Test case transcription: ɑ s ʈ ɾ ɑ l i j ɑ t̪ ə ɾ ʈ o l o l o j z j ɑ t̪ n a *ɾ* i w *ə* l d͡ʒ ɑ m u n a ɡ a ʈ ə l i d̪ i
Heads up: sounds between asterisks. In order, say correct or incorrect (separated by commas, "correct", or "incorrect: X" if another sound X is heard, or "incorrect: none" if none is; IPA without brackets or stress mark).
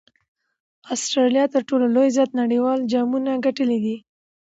incorrect: ɽ, incorrect: ɑ